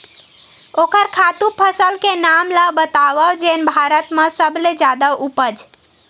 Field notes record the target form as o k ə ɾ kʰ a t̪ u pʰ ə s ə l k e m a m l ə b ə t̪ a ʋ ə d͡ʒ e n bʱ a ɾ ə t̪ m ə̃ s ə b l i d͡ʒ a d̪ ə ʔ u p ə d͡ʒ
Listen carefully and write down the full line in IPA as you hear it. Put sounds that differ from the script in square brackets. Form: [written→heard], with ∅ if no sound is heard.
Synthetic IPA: o k ə ɾ kʰ a t̪ u pʰ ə s ə l k e [m→n] a m l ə b ə t̪ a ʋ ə d͡ʒ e n bʱ a ɾ ə t̪ m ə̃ s ə b l [i→e] d͡ʒ a d̪ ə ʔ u p ə d͡ʒ